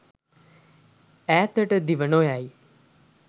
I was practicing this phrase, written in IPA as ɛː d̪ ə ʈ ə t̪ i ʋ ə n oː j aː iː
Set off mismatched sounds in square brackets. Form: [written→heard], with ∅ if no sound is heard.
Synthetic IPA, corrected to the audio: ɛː [d̪→t̪] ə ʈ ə [t̪→d̪] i ʋ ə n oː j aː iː